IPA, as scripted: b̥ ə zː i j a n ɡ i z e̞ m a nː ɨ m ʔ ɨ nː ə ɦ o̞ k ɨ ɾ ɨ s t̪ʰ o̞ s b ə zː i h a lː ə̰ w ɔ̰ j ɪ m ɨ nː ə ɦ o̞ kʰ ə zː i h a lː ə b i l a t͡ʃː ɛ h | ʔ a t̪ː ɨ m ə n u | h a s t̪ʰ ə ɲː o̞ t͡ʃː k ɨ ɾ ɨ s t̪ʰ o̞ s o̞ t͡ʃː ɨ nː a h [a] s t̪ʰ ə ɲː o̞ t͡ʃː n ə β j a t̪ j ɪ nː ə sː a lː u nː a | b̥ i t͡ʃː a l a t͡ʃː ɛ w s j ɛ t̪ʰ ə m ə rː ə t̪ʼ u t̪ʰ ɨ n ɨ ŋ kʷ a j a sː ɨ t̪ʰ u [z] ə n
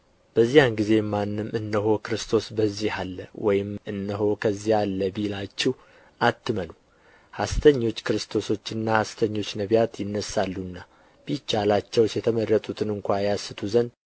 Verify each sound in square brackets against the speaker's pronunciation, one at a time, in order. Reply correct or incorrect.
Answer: correct, correct

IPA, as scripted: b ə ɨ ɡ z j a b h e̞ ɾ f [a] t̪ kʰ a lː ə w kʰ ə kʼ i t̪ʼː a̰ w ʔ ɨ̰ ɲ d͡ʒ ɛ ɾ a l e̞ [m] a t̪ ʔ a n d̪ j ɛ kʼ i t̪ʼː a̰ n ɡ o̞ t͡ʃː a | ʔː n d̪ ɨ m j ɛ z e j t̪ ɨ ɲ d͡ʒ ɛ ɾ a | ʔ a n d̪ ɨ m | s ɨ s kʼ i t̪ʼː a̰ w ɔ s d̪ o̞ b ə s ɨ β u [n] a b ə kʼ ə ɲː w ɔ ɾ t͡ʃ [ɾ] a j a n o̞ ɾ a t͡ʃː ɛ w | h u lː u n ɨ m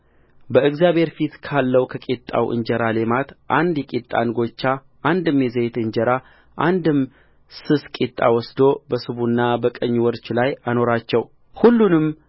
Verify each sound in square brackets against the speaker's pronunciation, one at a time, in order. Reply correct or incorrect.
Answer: incorrect, correct, incorrect, incorrect

